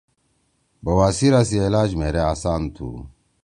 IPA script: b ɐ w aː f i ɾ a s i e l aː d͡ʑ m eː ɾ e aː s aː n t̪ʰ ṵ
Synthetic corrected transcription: b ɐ w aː s i ɾ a s i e l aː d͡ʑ m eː ɾ e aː s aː n t̪ʰ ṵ